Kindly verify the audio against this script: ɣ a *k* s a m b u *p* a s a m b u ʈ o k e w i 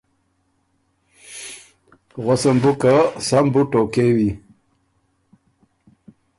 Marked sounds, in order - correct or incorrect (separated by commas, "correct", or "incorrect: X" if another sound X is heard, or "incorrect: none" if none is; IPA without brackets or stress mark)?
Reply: incorrect: none, incorrect: k